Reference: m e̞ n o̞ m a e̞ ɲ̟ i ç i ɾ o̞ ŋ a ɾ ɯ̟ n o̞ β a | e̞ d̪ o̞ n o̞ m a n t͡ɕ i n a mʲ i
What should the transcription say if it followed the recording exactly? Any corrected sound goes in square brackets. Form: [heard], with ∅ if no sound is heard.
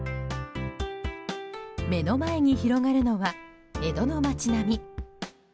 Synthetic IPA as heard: m e̞ n o̞ m a e̞ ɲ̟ i ç i ɾ o̞ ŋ a ɾ ɯ̟ n o̞ β a | e̞ d̪ o̞ n o̞ m a [∅] t͡ɕ i n a mʲ i